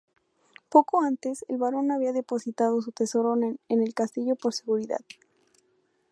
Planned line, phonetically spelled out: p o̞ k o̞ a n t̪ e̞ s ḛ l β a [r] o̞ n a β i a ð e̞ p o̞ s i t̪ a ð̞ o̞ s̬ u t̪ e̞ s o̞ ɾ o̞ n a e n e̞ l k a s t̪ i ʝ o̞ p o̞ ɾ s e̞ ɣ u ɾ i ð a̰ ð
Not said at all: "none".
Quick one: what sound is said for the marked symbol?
ɾ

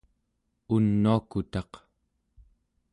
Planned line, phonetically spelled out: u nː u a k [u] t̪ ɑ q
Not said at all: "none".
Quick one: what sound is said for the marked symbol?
u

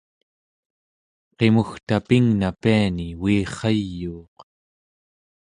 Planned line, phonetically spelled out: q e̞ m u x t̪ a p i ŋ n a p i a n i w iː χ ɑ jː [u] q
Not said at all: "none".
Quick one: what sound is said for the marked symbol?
uː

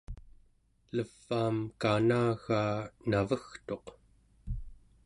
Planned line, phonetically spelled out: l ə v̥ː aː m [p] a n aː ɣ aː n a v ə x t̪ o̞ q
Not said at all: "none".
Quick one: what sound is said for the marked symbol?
k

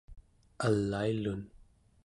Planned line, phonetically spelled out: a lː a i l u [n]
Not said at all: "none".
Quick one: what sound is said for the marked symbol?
n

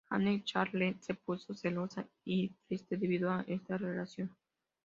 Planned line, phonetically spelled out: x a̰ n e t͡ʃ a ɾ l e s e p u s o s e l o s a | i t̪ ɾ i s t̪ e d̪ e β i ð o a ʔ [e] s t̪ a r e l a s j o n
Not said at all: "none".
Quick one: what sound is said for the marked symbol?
e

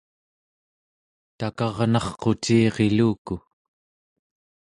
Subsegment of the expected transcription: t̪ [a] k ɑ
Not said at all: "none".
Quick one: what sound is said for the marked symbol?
a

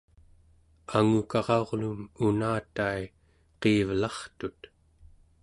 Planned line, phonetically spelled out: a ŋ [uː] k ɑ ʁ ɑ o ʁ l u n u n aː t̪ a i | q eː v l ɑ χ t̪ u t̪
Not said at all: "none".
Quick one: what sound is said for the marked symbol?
u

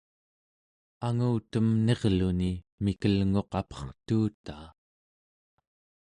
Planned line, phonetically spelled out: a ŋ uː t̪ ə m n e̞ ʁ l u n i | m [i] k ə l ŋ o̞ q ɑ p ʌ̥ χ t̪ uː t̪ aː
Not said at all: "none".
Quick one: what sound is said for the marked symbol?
i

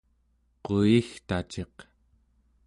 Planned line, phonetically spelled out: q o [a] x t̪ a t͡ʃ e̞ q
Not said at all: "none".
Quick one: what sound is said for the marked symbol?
i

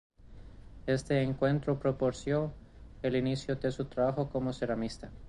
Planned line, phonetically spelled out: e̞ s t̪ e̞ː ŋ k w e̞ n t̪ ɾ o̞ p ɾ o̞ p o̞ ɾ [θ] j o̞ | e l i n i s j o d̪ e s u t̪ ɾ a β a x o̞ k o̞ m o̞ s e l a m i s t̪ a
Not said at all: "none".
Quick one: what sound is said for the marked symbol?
s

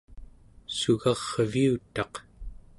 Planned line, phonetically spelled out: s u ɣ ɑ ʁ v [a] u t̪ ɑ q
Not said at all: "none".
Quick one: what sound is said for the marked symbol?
i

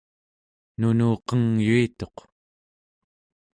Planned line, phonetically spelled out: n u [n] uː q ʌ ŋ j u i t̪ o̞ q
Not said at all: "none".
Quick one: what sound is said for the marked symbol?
n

